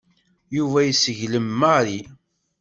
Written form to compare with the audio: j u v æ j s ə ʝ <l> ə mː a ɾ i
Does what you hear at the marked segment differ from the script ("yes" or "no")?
no